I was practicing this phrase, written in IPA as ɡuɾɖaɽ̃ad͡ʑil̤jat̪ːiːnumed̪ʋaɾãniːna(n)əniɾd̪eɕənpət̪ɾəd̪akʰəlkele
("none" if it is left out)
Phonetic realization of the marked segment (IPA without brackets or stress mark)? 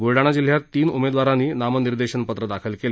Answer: m